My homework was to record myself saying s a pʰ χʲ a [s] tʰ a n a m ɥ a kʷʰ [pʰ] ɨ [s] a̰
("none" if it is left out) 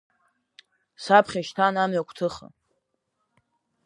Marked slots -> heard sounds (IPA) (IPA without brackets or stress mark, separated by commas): ʃ, tʰ, χ